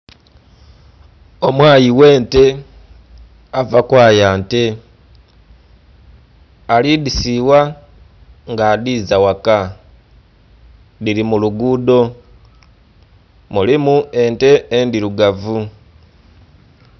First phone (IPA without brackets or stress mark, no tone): o̞